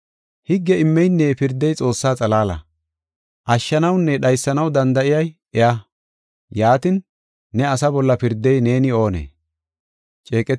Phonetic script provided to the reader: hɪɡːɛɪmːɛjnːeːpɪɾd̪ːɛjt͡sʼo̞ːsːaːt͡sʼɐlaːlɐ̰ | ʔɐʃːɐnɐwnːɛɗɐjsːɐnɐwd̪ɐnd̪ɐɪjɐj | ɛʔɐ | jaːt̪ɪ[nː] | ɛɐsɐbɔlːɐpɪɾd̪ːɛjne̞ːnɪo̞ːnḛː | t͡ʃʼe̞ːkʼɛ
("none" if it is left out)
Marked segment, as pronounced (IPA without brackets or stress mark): nː